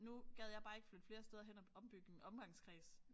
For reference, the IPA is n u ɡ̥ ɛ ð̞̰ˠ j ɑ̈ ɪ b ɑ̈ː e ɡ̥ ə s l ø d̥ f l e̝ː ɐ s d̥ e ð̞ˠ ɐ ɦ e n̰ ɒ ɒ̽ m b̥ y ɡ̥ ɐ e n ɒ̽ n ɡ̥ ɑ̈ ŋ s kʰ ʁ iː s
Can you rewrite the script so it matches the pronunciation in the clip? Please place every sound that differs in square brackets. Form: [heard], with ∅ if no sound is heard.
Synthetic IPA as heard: n u ɡ̥ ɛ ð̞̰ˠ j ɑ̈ ɪ b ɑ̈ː e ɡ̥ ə [f] l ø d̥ f l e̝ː ɐ s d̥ e ð̞ˠ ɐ ɦ e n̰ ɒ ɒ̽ m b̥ y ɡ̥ [ə] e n ɒ̽ [m] ɡ̥ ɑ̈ ŋ s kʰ ʁ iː s